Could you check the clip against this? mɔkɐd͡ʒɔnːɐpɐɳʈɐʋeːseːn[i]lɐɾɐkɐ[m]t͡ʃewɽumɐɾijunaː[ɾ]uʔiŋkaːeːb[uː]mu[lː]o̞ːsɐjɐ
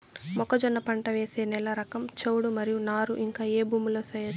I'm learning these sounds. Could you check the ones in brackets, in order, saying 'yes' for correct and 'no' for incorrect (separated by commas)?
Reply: no, yes, yes, yes, no